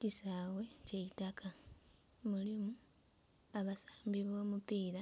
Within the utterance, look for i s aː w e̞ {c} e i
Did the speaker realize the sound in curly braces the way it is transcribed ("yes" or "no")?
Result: yes